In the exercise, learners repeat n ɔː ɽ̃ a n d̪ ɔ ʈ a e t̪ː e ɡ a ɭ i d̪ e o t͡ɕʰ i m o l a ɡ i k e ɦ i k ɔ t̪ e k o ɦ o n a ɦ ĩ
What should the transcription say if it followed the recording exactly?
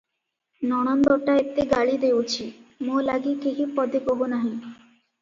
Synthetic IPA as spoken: n ɔ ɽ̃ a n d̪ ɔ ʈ a e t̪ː e ɡ a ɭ i d̪ e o t͡ɕʰ i m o l a ɡ i k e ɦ i p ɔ d̪ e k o ɦ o n a ɦ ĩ